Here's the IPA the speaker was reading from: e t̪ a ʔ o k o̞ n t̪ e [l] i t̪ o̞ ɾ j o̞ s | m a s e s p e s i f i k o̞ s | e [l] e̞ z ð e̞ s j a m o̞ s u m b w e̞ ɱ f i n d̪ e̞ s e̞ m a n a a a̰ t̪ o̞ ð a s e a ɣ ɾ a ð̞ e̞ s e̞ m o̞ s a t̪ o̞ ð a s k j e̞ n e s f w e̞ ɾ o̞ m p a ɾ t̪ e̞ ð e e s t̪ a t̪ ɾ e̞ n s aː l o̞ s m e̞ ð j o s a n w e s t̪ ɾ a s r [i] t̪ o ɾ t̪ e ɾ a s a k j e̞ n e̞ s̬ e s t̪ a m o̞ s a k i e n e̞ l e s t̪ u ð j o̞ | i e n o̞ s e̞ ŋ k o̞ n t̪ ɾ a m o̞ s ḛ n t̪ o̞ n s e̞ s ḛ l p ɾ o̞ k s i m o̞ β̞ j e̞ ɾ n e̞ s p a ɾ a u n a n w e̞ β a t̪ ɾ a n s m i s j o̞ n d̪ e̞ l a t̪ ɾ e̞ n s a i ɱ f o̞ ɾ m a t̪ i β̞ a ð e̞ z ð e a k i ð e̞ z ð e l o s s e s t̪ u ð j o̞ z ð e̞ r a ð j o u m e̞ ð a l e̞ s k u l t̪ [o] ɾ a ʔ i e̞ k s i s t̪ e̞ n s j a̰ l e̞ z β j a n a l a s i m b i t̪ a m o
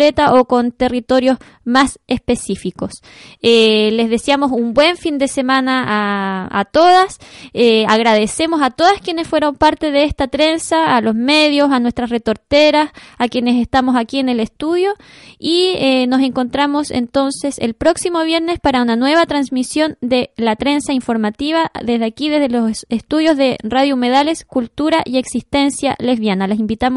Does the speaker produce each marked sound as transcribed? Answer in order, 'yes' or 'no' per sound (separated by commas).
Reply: no, yes, no, no